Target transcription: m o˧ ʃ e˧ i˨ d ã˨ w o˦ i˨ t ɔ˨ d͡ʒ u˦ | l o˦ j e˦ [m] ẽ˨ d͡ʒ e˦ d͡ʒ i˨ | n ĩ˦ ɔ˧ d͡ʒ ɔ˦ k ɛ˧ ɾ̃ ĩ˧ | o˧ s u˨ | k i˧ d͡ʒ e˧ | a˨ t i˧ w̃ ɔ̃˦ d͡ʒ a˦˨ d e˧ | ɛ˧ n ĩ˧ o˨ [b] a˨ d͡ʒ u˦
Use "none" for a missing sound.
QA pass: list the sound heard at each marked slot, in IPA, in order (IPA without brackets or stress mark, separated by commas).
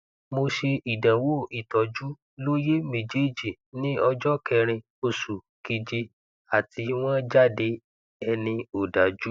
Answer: m, d